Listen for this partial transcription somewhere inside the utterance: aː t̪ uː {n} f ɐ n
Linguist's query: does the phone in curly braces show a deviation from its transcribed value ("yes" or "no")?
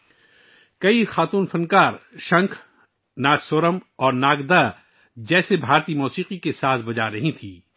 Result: no